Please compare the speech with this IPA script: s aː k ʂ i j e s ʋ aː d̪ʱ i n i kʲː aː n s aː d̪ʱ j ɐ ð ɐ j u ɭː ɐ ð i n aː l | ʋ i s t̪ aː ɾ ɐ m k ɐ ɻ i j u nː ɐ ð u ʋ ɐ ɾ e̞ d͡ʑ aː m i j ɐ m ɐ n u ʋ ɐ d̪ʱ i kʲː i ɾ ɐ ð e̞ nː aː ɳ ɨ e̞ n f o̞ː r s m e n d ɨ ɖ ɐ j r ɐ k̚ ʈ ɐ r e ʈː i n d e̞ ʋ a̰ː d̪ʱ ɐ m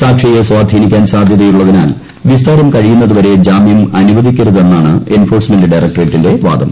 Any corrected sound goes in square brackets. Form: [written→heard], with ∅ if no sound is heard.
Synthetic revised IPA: s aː k ʂ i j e s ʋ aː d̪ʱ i n i kʲː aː n s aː d̪ʱ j ɐ ð ɐ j u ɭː ɐ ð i n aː l | ʋ i s t̪ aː ɾ ɐ m k ɐ ɻ i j u nː ɐ ð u ʋ ɐ ɾ e̞ d͡ʑ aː m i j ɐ m ɐ n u ʋ ɐ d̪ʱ i kʲː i ɾ ɐ ð e̞ nː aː ɳ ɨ e̞ n f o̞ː r s m e n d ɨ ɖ ɐ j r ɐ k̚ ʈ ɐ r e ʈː i n d e̞ ʋ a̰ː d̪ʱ ɐ m